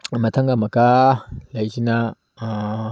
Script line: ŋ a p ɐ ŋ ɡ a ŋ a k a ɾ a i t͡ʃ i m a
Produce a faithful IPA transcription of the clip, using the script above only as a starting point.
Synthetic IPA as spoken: m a t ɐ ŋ ɡ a m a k a l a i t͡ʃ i n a